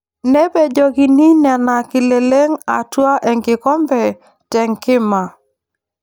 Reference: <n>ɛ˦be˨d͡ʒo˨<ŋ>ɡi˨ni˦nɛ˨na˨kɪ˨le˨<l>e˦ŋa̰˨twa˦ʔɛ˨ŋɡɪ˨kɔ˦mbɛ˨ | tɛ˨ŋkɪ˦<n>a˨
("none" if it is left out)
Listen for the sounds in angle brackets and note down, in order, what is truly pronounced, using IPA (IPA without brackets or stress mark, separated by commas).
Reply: n, none, l, m